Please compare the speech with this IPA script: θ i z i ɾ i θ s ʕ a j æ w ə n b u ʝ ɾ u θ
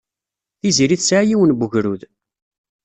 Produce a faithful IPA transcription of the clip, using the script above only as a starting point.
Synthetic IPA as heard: θ i z i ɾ i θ s ʕ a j i w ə n b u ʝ ɾ u ð